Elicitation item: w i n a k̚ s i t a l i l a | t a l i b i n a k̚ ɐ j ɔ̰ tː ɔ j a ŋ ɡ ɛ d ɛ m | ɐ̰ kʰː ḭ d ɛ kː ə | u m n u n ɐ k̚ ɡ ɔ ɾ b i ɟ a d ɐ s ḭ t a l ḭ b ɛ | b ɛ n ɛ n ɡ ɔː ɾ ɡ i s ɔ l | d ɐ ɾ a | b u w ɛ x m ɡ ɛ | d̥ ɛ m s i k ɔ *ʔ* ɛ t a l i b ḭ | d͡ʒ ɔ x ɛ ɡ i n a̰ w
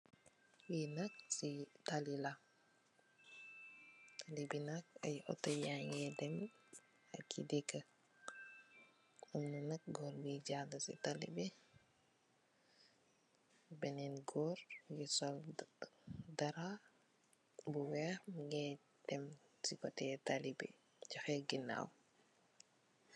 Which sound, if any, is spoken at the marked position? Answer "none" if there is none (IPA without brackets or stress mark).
t